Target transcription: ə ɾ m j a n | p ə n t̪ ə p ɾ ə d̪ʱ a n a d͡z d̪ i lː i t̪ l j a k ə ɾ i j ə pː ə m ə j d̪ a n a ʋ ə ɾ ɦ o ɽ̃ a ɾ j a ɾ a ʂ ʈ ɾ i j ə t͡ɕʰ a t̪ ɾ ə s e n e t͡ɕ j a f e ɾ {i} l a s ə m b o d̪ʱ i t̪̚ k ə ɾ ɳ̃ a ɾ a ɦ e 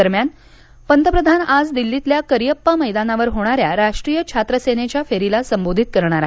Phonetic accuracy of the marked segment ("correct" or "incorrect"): correct